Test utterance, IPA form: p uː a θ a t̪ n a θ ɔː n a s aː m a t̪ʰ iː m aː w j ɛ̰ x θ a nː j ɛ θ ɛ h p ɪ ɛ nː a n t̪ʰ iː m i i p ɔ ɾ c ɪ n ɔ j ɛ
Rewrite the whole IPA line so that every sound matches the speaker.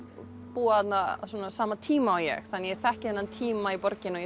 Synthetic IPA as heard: p uː a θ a t̪ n a s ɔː n a s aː m a t̪ʰ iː m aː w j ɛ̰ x θ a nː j ɛ θ ɛ h c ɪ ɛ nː a n t̪ʰ iː m a i p ɔ ɾ c ɪ n ɔ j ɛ